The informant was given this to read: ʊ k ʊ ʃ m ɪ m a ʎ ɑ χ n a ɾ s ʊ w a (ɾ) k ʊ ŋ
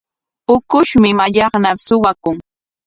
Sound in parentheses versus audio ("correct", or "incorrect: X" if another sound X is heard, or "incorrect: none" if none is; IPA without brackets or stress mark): incorrect: none